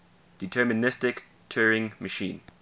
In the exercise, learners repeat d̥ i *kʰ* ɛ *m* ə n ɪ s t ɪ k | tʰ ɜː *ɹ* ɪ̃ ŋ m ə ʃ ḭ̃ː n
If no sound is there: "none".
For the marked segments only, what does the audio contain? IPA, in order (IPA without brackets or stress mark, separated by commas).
tʰ, m, ɹ